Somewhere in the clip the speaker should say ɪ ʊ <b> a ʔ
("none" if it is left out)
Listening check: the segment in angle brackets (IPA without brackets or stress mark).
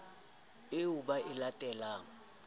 b